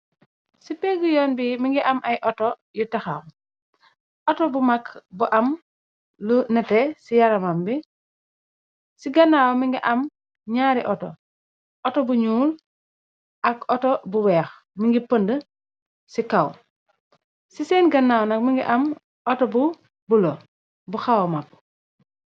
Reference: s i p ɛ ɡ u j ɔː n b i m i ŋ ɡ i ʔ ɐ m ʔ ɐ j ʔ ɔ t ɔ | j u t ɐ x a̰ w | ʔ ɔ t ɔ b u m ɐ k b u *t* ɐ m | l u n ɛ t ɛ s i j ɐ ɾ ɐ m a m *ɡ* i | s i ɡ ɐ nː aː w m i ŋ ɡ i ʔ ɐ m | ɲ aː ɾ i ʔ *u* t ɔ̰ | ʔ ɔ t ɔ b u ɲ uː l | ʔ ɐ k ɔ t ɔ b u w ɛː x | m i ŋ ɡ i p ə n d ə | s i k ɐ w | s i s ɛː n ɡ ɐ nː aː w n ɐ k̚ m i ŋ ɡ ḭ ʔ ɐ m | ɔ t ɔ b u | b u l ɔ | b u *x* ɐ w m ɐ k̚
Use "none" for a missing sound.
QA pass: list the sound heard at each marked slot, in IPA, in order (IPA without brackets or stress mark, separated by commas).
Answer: ʔ, b, ɔ, x